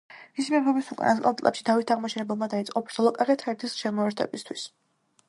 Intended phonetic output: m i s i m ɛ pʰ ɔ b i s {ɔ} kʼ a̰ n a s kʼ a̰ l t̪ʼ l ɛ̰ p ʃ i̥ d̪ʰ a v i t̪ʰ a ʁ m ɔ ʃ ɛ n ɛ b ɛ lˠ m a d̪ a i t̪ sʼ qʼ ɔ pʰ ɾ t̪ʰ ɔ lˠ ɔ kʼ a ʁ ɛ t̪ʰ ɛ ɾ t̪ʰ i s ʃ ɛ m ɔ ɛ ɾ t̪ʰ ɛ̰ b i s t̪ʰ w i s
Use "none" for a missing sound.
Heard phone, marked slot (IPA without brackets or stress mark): u